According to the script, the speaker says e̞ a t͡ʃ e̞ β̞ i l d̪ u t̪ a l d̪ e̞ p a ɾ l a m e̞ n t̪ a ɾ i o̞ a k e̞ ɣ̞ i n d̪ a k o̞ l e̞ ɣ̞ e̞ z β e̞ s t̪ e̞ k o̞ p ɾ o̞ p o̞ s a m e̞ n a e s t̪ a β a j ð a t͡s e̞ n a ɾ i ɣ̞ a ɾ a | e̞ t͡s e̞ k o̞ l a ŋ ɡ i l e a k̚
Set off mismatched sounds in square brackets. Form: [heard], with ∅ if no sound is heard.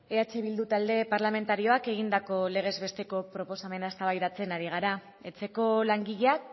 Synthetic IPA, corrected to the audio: e̞ a t͡ʃ e̞ β̞ i l d̪ u t̪ a l d̪ e̞ p a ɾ l a m e̞ n t̪ a ɾ i o̞ a k e̞ ɣ̞ i n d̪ a k o̞ l e̞ ɣ̞ e̞ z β e̞ s t̪ e̞ k o̞ p ɾ o̞ p o̞ s a m e̞ n a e s t̪ a β a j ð a t͡s e̞ n a ɾ i ɣ̞ a ɾ a | e̞ t͡s e̞ k o̞ l a ŋ ɡ i [ʎ] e a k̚